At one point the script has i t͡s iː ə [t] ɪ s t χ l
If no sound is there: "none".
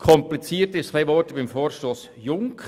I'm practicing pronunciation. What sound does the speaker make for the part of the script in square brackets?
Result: t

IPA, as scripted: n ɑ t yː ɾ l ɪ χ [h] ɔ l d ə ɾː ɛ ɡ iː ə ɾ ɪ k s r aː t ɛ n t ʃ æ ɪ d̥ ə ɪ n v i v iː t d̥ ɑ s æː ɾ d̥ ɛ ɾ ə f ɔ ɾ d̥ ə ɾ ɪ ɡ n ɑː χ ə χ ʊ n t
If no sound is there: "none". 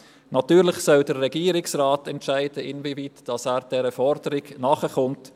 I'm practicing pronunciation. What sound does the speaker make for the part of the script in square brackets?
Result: s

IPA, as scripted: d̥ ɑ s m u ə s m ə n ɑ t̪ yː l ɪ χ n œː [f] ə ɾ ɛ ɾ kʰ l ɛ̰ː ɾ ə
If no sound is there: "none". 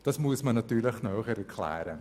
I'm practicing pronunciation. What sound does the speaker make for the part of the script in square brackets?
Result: χ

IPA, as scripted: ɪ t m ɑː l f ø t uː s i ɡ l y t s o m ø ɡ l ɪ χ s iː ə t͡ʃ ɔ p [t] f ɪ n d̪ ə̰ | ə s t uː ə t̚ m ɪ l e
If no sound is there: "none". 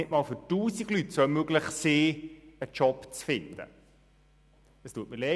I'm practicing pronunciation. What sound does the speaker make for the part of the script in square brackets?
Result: t͡s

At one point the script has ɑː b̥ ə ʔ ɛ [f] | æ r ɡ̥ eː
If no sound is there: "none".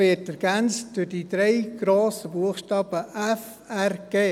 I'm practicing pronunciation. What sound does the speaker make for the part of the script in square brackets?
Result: f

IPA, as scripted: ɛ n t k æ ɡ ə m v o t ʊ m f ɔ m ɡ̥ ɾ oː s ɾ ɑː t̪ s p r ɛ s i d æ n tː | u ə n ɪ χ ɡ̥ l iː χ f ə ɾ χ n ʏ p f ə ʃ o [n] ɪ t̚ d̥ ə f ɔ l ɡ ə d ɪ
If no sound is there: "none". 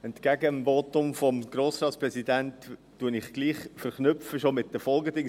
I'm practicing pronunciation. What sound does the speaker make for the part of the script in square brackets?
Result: m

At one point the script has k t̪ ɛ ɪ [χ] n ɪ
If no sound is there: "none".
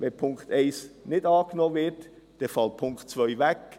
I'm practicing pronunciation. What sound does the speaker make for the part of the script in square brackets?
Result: s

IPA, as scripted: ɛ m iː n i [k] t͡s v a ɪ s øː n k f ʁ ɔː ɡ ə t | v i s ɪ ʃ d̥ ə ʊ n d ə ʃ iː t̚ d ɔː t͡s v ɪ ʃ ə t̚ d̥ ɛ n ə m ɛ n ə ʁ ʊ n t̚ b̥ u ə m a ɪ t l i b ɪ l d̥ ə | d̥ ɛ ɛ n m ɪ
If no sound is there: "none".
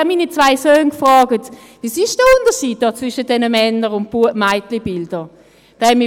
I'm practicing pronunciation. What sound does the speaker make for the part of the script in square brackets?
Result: none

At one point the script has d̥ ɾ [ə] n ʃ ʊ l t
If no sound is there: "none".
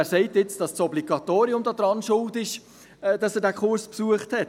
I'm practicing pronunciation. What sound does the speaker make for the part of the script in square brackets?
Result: ɑ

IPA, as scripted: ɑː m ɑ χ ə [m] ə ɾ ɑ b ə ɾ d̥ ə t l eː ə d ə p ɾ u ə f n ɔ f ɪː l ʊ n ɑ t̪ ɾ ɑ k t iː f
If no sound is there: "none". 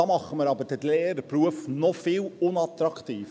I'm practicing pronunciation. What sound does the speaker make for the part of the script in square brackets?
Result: m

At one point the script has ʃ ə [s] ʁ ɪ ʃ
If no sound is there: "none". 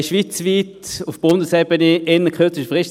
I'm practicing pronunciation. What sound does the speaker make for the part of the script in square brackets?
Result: f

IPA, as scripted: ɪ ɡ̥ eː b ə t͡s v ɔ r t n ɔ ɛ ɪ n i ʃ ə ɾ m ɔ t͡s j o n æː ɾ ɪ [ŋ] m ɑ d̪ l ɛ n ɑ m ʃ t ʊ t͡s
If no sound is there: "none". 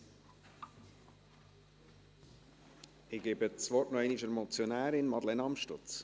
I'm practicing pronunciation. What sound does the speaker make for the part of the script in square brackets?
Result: n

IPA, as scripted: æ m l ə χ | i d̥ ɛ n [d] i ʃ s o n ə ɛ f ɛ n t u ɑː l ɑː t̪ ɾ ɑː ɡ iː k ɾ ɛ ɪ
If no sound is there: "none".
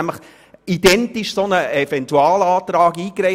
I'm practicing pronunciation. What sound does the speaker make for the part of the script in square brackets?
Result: t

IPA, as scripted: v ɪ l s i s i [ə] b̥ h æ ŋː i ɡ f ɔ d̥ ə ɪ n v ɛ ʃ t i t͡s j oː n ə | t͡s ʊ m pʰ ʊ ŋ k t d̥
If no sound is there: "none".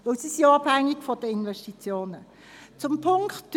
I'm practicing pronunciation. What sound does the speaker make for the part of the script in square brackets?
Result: ɑ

